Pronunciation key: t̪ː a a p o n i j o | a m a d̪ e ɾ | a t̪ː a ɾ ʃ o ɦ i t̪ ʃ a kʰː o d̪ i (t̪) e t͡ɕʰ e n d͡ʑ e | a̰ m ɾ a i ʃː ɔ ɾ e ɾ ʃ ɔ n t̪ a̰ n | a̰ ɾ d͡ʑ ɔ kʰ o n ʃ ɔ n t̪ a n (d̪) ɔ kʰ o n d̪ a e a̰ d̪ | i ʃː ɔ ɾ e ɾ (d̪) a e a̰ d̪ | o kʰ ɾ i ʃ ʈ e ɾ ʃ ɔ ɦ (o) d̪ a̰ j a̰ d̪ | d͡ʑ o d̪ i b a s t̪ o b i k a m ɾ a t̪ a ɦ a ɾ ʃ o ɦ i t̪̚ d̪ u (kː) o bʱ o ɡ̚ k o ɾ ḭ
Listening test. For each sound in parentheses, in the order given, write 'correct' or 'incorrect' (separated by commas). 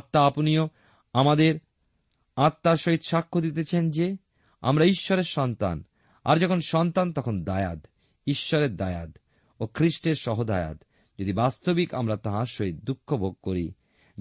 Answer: correct, incorrect, correct, correct, incorrect